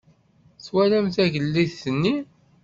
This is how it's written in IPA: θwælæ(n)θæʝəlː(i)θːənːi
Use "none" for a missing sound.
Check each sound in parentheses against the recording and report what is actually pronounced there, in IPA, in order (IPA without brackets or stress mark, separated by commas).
m, i